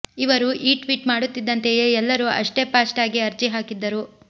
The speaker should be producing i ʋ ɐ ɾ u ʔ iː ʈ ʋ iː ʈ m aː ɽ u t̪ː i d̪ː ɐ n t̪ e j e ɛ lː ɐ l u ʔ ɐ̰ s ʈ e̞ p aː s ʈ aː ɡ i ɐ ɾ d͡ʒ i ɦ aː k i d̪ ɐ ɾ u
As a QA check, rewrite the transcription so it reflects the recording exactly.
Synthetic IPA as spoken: i ʋ ɐ ɾ u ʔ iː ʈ ʋ iː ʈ m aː ɽ u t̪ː i d̪ː ɐ n t̪ e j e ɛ lː ɐ ɾ u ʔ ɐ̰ ʂ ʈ e̞ p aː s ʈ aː ɡ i ɐ ɾ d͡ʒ i ɦ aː k i d̪ː ɐ ɾ u